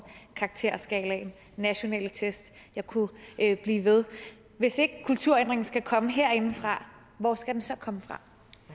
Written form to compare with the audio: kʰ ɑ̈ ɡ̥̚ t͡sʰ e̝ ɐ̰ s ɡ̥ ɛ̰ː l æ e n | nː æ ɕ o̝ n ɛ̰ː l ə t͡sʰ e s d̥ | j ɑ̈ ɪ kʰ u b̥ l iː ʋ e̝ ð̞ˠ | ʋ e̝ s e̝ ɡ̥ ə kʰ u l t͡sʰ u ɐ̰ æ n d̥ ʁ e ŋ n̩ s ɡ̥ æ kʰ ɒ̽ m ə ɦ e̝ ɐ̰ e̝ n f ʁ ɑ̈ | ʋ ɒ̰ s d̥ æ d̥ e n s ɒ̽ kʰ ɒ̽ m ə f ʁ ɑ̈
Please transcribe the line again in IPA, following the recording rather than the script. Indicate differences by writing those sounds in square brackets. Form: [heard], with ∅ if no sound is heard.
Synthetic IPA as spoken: kʰ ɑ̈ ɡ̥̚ t͡sʰ e̝ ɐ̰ s ɡ̥ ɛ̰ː l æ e n | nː æ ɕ o̝ n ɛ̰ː l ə t͡sʰ e s d̥ | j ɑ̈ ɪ kʰ u b̥ l iː ʋ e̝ ð̞ˠ | ʋ e̝ s e̝ ɡ̥ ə kʰ u l t͡sʰ u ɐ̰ [e] n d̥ ʁ e ŋ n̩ s ɡ̥ æ kʰ ɒ̽ m ə ɦ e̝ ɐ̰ e̝ n f ʁ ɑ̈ | ʋ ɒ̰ s [ɡ̥] æ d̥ e n s ɒ̽ kʰ ɒ̽ m ə f ʁ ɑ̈